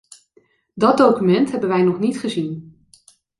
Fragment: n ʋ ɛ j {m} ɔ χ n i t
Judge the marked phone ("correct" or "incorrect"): incorrect